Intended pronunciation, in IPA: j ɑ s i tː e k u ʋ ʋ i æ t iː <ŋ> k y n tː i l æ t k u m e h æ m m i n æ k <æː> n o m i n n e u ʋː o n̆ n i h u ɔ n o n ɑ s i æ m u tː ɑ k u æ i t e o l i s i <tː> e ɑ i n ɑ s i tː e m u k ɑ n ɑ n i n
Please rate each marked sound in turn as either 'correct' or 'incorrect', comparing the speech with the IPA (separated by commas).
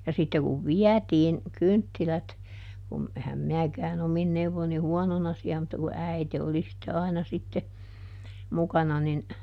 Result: incorrect, correct, correct